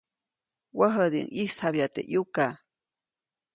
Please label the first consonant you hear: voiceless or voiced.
voiced